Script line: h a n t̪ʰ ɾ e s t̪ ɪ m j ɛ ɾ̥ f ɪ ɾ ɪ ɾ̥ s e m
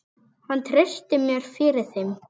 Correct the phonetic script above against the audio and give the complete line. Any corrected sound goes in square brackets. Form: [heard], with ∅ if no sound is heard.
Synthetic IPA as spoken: h a n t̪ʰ ɾ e s t̪ ɪ m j [œ] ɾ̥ f ɪ ɾ ɪ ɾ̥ [θ] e m